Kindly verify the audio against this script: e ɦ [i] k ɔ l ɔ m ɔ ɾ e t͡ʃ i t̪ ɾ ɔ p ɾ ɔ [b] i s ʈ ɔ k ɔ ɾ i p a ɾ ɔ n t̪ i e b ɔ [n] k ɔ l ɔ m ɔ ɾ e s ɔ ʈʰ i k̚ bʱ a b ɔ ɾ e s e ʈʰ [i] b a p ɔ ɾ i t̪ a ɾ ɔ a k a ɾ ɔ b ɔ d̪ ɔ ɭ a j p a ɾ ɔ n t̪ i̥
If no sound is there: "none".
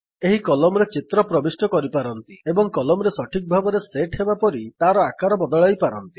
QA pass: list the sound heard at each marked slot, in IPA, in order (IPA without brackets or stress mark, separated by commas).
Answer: i, b, ŋ, e